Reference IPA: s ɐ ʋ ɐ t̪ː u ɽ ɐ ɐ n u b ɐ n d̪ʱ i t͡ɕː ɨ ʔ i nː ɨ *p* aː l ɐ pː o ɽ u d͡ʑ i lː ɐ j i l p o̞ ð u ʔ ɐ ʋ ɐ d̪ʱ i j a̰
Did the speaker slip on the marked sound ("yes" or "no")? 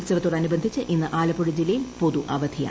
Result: yes